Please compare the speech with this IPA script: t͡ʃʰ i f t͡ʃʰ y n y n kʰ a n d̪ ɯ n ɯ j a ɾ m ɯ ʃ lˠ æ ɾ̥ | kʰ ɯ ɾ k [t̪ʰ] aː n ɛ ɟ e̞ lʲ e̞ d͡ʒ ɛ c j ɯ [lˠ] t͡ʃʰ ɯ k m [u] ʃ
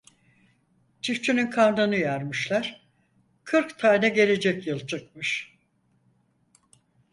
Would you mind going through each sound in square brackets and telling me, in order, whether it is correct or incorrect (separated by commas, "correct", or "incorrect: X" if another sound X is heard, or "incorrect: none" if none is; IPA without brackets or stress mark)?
correct, correct, incorrect: ɯ